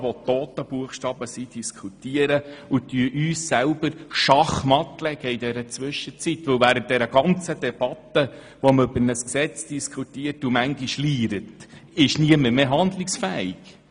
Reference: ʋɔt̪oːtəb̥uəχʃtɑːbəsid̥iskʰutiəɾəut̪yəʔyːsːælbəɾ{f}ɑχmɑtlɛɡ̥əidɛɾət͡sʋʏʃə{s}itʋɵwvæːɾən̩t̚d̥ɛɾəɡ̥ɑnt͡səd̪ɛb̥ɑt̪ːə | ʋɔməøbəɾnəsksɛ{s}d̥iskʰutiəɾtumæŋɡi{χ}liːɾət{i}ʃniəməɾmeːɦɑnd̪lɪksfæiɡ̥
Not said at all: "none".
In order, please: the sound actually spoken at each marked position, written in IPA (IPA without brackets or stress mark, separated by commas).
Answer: ʃ, t͡s, t͡s, ʃ, ɪ